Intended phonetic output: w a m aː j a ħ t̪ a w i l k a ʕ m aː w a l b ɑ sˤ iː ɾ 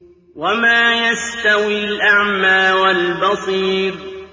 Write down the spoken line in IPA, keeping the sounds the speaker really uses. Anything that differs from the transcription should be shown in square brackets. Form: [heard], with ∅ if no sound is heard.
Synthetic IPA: w a m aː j a [s] t̪ a w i l [ʔ] a ʕ m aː w a l b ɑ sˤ iː ɾ